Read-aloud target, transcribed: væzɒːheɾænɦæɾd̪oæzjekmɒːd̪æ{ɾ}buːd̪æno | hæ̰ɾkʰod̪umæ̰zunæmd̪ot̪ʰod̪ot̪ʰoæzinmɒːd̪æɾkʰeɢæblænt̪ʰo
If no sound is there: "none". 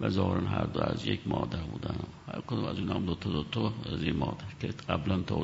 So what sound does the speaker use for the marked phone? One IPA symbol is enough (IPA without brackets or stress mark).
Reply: ɾ